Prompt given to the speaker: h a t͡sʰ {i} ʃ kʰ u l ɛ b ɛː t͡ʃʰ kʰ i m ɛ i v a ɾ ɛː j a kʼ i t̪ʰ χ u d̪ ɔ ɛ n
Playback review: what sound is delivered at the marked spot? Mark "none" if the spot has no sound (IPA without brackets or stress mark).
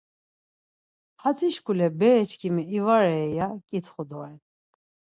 i